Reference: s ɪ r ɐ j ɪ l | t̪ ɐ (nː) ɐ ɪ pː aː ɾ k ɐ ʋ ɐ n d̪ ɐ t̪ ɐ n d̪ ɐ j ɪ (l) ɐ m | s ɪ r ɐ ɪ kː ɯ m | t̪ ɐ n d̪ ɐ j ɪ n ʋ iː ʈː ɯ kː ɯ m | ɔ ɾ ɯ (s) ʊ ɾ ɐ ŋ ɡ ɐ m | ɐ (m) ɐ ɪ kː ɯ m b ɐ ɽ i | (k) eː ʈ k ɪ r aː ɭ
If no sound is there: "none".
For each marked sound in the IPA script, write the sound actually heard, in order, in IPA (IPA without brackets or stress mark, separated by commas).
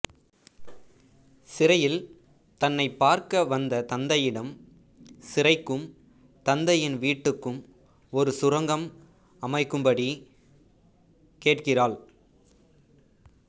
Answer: nː, ɽ, s, m, k